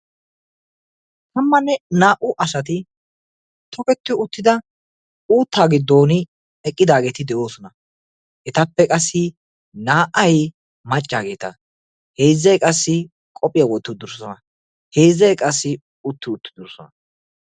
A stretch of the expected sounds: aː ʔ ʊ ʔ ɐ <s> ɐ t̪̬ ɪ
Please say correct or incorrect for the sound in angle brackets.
correct